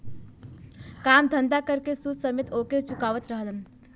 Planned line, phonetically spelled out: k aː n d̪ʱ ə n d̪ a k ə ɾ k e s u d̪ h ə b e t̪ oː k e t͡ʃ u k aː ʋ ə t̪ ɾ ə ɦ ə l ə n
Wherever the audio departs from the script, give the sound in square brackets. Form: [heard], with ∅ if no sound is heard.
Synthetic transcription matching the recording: k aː [m] d̪ʱ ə n d̪ a k ə ɾ k e s u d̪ [s] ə [m] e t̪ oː k e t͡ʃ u k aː ʋ ə t̪ ɾ ə ɦ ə l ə n